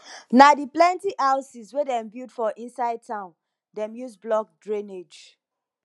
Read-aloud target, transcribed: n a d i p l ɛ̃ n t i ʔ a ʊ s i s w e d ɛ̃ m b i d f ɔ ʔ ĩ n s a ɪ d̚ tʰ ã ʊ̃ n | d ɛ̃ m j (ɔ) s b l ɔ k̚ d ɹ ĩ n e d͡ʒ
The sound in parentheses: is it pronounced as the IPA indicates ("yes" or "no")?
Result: no